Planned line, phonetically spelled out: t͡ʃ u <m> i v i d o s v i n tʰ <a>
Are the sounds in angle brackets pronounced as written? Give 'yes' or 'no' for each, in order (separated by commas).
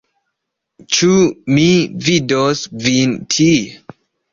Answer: yes, no